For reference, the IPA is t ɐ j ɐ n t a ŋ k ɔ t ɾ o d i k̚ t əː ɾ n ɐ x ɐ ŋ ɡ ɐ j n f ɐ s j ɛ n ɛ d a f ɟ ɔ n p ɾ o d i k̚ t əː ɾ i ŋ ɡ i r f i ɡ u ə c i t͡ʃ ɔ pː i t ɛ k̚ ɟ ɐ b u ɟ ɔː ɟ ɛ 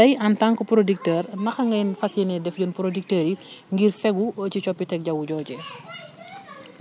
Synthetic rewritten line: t ɐ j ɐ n t a ŋ k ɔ p ɾ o d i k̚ t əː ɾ n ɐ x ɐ ŋ ɡ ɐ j n f ɐ s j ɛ n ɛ d ɛ f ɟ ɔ n p ɾ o d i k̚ t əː ɾ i ŋ ɡ i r f ɛ ɡ u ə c i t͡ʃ ɔ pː i t ɛ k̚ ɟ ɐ w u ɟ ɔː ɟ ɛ